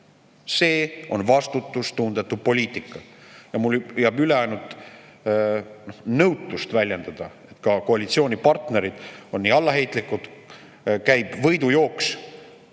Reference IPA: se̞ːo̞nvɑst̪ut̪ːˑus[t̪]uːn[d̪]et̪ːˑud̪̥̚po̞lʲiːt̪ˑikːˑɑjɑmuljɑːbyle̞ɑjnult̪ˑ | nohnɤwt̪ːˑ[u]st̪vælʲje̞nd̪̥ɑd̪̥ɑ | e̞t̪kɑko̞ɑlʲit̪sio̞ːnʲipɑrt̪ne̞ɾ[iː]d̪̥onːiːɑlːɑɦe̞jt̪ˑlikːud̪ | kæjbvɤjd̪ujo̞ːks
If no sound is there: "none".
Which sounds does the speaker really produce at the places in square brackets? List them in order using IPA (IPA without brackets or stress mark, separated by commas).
t̪, d̪, u, i